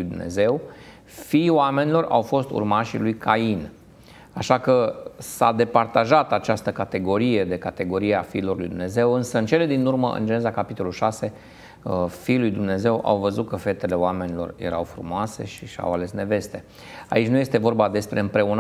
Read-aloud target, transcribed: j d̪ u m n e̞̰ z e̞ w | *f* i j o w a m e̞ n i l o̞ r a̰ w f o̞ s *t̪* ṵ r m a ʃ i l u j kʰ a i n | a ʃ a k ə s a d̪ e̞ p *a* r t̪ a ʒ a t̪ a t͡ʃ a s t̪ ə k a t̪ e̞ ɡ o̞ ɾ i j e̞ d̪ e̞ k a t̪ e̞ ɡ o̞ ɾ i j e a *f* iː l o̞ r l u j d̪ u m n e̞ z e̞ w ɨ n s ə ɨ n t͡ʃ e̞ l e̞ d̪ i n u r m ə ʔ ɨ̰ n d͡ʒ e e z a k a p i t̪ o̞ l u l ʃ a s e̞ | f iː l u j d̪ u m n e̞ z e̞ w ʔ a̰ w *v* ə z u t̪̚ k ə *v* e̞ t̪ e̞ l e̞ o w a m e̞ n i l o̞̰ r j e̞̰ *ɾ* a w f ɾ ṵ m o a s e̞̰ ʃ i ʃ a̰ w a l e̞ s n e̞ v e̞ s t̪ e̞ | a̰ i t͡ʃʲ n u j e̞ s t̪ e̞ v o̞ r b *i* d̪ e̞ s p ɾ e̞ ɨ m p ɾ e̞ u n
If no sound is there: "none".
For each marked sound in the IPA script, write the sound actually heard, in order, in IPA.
f, t̪, a, f, v, f, ɾ, a

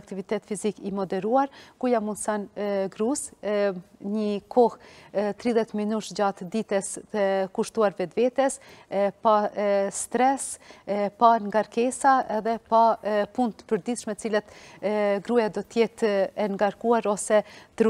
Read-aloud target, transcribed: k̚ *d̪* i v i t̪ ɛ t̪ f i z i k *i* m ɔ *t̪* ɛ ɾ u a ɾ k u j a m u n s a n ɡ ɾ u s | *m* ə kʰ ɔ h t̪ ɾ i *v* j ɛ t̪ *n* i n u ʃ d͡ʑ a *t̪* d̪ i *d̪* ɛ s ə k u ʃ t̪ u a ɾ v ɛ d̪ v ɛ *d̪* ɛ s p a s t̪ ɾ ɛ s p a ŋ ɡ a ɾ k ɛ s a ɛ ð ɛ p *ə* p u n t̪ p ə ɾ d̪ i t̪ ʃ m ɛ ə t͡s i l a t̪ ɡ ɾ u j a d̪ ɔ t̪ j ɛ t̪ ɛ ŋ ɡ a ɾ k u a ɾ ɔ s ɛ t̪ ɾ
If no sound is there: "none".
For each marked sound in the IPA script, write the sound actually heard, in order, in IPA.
t̪, i, d̪, ɲ, ð, m, t̪, t̪, t̪, a

